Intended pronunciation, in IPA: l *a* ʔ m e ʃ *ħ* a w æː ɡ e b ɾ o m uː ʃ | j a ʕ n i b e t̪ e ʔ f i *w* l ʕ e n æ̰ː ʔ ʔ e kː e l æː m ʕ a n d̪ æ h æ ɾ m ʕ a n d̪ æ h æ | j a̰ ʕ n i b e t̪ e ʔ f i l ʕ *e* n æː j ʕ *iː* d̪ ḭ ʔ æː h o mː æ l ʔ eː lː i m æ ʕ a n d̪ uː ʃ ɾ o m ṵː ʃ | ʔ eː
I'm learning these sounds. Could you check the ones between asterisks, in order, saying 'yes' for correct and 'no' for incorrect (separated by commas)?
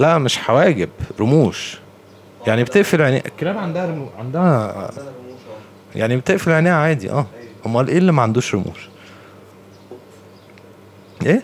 no, yes, no, yes, no